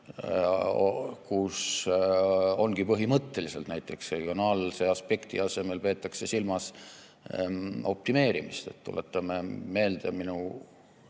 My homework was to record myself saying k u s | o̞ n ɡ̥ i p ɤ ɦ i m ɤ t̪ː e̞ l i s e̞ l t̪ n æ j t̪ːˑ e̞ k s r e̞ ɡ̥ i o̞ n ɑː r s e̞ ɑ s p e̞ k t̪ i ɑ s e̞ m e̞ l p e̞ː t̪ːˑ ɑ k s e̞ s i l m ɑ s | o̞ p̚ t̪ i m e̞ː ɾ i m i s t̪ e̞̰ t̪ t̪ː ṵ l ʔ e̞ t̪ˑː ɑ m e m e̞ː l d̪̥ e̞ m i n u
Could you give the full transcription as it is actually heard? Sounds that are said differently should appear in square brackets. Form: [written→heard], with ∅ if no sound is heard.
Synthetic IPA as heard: k u s | o̞ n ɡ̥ i p ɤ ɦ i m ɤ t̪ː e̞ l i s e̞ l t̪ n æ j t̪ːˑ e̞ k s r e̞ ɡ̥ i o̞ n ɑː [r→l] s e̞ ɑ s p e̞ k t̪ i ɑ s e̞ m e̞ l p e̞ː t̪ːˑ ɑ k s e̞ s i l m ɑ s | o̞ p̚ t̪ i m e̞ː ɾ i m i s t̪ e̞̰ t̪ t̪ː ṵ l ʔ e̞ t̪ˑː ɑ m e m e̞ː l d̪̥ e̞ m i n u